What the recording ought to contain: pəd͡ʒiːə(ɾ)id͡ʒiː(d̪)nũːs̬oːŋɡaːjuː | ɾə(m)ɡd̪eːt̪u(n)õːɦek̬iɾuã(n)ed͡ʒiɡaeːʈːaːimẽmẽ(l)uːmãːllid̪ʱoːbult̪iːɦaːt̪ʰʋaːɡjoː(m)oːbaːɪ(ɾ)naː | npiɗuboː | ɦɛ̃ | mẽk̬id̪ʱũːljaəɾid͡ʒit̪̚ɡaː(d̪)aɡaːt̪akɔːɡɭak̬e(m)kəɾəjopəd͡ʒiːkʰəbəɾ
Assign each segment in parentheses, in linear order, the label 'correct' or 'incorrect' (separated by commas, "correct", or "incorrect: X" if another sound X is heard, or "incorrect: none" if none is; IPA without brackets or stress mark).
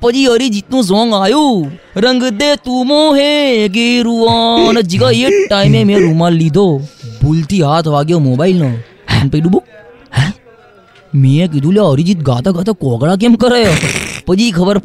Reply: correct, incorrect: t̪, incorrect: ŋ, incorrect: m, correct, incorrect: ɾ, correct, incorrect: l, incorrect: t̪, correct